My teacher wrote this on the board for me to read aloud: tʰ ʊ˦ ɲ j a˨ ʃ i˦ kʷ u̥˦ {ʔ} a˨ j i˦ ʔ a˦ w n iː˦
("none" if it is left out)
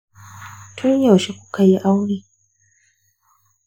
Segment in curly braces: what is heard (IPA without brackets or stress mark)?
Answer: k